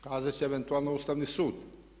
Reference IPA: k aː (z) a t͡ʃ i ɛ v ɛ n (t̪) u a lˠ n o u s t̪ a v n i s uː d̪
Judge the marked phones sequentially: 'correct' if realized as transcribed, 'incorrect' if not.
correct, correct

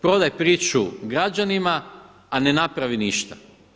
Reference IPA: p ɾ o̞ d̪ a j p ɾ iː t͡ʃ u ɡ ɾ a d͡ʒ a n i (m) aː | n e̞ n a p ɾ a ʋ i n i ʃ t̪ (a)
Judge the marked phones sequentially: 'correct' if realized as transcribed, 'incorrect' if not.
correct, correct

